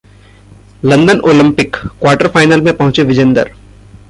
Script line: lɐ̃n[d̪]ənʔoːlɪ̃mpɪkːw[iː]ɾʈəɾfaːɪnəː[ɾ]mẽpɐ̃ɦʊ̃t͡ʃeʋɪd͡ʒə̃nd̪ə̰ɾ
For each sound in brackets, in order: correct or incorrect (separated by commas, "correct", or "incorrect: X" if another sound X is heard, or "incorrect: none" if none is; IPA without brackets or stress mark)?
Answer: correct, incorrect: aː, incorrect: l